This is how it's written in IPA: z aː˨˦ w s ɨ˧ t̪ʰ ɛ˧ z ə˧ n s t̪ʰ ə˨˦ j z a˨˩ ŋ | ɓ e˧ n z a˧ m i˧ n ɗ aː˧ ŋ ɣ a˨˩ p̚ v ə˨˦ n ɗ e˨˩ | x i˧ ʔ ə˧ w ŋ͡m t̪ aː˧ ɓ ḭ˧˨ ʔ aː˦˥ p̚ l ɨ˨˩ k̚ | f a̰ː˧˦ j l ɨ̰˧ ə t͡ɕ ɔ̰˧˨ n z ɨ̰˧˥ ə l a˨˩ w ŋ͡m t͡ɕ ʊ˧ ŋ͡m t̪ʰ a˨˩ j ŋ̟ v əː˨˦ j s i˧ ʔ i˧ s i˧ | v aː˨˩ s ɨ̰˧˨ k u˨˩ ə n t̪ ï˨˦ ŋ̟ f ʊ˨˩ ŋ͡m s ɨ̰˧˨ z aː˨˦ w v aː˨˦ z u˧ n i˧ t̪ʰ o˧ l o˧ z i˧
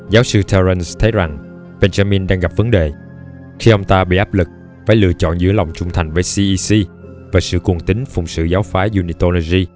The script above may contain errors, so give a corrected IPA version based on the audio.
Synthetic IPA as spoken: z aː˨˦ w s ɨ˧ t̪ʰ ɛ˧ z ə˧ n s t̪ʰ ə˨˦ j z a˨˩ ŋ | ɓ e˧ n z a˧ m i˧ n ɗ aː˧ ŋ ɣ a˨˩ p̚ v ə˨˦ n ɗ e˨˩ | x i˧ ʔ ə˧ w ŋ͡m t̪ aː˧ ɓ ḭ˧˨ ʔ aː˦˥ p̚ l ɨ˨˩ k̚ | f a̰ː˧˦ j l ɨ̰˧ ə t͡ɕ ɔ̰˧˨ n z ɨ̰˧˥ ə l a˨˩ w ŋ͡m t͡ɕ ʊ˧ ŋ͡m t̪ʰ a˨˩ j ŋ̟ v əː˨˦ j s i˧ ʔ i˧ s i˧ | v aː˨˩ s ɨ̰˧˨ k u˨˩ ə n t̪ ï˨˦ ŋ̟ f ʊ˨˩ ŋ͡m s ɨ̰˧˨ z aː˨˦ w f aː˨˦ z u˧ n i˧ t̪ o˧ l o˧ z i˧